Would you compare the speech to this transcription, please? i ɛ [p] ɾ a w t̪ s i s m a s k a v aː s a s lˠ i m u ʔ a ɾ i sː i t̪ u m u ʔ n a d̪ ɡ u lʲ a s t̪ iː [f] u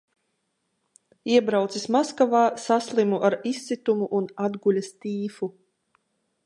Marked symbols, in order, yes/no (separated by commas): no, yes